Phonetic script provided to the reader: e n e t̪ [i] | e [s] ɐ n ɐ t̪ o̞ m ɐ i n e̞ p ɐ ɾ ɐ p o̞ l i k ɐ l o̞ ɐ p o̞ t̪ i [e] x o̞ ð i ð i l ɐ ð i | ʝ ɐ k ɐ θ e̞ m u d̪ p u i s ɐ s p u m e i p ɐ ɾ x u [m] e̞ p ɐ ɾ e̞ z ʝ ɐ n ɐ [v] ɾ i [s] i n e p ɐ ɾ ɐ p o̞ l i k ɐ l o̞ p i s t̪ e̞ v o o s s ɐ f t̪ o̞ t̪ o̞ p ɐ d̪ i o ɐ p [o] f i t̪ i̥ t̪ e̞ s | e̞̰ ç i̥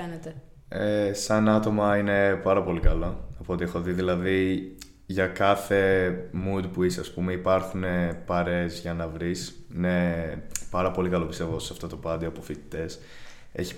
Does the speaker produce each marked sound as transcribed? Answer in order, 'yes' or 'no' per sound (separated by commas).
no, yes, yes, no, yes, yes, yes